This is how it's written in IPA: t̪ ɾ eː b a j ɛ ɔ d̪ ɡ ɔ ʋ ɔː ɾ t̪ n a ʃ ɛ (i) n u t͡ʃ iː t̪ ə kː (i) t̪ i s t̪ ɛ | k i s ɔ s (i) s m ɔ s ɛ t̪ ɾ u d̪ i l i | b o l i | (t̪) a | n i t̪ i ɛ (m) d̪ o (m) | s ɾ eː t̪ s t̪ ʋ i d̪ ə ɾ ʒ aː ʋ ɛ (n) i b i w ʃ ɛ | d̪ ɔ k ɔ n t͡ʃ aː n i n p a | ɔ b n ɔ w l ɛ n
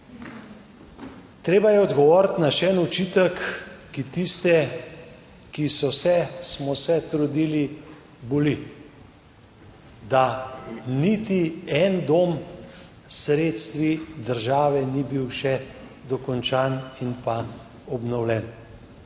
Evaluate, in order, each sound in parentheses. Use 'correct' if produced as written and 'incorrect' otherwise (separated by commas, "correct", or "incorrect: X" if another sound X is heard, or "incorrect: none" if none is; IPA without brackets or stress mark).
incorrect: ɛ, correct, incorrect: ɛ, incorrect: d̪, incorrect: n, correct, correct